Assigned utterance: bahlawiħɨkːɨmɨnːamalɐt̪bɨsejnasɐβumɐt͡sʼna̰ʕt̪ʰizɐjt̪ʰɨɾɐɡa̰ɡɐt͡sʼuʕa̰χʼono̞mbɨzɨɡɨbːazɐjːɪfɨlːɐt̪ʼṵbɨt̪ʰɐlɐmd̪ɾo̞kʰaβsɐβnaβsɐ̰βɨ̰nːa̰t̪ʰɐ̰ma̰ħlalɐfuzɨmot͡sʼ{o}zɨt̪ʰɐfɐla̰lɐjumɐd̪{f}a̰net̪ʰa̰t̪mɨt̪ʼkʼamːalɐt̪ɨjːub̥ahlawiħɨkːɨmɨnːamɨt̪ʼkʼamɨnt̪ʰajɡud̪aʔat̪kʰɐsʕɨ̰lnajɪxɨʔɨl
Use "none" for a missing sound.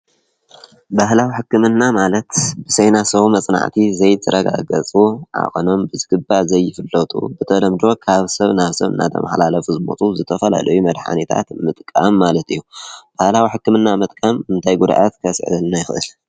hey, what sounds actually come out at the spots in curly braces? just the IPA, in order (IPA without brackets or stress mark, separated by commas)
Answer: u, ħ